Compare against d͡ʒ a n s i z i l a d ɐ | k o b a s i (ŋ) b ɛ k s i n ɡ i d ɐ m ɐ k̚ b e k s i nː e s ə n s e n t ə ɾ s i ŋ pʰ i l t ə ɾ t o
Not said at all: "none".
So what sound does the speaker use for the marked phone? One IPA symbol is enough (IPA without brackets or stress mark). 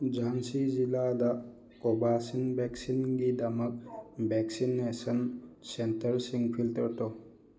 n